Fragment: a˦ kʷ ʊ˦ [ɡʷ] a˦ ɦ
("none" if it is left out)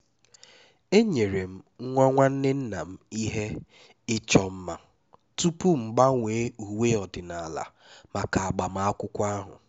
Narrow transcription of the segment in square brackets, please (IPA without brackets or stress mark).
kʷ